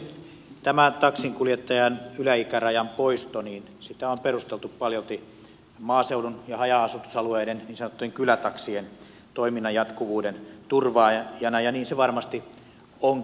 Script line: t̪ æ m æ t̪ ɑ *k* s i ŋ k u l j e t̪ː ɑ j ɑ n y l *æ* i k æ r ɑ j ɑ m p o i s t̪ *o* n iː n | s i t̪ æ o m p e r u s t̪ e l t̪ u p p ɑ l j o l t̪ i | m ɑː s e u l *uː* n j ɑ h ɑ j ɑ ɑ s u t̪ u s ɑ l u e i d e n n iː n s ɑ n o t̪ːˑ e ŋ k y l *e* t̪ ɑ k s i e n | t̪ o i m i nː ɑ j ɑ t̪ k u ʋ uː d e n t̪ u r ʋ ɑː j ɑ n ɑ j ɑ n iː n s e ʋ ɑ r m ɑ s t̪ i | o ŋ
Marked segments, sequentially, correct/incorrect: correct, correct, correct, incorrect, incorrect

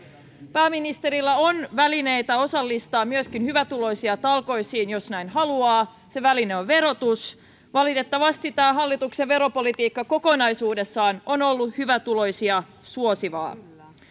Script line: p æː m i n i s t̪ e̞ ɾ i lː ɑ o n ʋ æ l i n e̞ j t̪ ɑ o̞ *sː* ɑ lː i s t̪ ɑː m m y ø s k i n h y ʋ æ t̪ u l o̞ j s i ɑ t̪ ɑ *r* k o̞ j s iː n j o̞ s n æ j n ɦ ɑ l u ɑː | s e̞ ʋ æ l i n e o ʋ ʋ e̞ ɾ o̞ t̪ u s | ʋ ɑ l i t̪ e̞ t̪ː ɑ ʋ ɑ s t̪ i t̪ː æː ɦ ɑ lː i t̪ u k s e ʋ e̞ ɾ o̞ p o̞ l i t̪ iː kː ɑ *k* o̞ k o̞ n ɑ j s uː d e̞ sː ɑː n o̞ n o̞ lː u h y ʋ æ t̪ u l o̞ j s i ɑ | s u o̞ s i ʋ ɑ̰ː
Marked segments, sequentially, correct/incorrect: incorrect, incorrect, correct

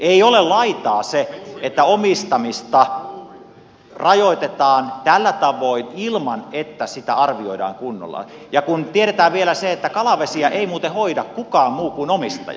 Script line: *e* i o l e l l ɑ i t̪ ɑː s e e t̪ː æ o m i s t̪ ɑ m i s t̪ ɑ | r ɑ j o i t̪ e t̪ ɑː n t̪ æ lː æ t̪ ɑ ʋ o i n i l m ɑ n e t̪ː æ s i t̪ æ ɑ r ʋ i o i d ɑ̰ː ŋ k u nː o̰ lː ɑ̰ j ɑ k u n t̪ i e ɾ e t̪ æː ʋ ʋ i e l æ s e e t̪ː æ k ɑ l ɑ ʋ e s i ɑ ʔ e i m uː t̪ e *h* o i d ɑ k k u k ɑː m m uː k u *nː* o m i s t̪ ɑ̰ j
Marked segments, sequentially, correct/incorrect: correct, correct, incorrect

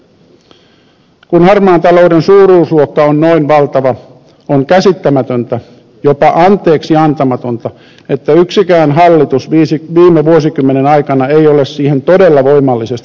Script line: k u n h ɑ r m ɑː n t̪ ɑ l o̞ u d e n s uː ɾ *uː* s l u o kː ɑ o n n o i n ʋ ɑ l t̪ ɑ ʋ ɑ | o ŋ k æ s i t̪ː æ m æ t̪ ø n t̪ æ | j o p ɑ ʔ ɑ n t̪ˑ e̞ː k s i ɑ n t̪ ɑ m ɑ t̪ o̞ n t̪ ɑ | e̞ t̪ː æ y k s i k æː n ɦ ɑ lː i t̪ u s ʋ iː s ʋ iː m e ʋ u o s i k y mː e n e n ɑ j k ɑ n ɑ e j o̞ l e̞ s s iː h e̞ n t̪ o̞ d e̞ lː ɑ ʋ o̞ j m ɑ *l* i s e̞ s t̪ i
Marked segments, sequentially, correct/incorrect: correct, incorrect

